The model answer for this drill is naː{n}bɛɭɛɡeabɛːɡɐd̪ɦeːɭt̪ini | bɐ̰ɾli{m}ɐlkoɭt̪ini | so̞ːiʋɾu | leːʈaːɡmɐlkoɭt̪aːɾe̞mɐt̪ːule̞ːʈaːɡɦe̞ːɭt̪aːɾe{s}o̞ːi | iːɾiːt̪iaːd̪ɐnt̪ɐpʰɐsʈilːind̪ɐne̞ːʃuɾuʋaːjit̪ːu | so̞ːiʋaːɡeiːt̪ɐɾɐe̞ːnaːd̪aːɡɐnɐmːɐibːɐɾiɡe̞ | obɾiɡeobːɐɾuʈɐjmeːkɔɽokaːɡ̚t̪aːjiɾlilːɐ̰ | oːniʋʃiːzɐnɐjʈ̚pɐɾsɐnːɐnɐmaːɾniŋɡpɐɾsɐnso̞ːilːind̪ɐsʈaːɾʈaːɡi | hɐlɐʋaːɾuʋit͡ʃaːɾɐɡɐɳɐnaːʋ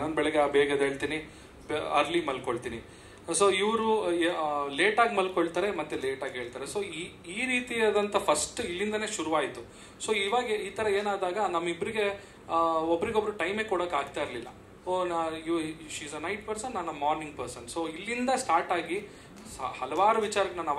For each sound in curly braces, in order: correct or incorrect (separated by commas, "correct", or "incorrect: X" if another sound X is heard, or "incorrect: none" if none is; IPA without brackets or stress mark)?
correct, correct, correct